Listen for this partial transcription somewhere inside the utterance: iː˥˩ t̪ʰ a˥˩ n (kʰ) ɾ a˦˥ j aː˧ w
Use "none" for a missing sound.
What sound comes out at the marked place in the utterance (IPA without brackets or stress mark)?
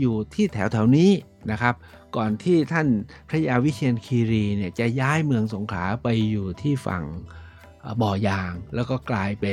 pʰ